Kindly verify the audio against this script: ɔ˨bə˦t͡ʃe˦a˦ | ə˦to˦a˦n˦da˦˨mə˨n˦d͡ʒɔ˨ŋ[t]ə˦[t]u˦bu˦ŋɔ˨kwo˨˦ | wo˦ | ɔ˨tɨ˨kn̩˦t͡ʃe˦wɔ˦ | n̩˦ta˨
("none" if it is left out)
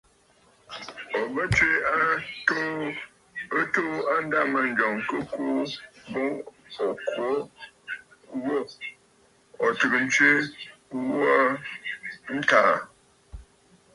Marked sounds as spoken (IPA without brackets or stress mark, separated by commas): k, k